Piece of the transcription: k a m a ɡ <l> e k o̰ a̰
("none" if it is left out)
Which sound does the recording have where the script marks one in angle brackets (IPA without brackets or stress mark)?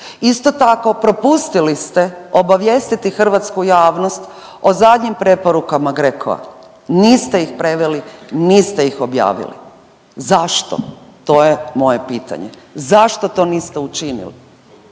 ɾ